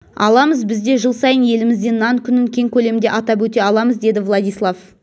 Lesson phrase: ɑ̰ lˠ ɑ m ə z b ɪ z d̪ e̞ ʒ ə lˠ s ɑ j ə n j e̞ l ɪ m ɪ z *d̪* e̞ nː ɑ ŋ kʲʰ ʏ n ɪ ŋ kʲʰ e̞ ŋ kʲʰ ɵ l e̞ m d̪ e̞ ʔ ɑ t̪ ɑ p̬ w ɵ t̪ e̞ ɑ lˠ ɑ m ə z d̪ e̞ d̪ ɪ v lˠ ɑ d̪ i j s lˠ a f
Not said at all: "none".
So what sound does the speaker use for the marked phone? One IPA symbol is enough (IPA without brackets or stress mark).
d̪